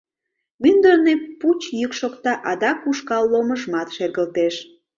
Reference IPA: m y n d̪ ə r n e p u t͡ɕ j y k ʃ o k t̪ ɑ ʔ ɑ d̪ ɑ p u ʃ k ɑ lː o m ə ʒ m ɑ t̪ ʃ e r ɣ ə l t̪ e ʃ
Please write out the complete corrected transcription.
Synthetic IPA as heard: m y n d̪ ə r n e p u t͡ɕ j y k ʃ o k t̪ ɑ ʔ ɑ d̪ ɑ k u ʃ k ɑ lː o m ə ʒ m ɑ t̪ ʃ e r ɣ ə l t̪ e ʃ